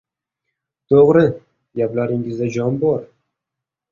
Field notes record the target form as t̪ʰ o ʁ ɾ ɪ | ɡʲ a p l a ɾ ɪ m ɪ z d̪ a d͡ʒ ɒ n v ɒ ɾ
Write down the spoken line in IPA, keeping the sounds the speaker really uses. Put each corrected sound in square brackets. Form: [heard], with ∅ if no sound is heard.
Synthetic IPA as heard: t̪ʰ o ʁ ɾ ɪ | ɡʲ a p l a ɾ ɪ [ŋ] ɪ z d̪ a d͡ʒ ɒ n [b] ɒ ɾ